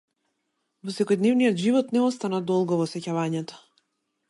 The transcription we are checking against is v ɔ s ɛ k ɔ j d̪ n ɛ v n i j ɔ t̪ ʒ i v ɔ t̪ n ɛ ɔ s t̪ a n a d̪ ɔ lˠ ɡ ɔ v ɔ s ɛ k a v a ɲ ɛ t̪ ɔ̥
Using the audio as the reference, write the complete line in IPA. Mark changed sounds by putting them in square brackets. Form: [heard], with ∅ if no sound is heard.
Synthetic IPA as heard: v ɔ s ɛ k ɔ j d̪ n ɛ v n i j ɔ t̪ ʒ i v ɔ t̪ n ɛ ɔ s t̪ a n a d̪ ɔ lˠ ɡ ɔ v ɔ s ɛ [c] a v a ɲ ɛ t̪ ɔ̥